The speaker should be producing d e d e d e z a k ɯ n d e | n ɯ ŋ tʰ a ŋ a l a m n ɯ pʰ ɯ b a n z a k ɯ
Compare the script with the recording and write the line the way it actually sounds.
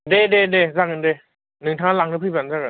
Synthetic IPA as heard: d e d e d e z a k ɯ n d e | n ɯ ŋ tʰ a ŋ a l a ŋ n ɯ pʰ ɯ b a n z a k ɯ